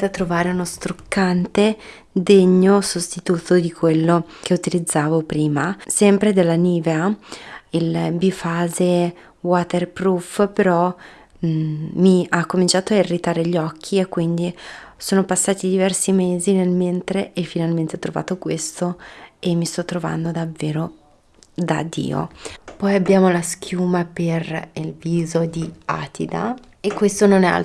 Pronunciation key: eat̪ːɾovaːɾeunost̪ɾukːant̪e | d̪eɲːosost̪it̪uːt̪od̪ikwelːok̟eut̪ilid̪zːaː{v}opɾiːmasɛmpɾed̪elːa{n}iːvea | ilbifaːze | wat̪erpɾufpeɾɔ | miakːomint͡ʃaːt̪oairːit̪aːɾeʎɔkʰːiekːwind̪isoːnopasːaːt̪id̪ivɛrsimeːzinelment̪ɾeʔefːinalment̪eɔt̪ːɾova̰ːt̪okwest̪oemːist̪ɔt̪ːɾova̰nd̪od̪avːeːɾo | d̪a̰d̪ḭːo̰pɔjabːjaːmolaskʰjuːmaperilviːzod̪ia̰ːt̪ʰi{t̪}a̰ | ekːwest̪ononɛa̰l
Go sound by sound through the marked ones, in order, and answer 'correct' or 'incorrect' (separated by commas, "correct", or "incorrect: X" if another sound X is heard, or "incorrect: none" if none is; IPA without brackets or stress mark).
correct, correct, incorrect: d̪